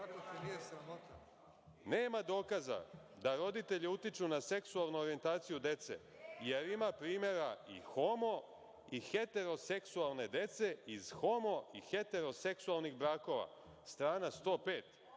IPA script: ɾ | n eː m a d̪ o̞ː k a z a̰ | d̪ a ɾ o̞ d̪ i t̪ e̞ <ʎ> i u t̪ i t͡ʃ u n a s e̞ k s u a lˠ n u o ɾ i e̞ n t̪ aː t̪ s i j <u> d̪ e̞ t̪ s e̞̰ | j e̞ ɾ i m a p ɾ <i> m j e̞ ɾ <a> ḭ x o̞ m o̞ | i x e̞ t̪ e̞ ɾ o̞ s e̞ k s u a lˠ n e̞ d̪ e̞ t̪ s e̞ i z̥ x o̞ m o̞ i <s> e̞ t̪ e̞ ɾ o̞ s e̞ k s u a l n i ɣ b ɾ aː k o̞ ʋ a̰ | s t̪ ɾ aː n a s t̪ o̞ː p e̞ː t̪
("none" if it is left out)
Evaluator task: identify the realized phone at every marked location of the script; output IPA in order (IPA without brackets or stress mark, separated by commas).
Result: ʎ, u, iː, a, x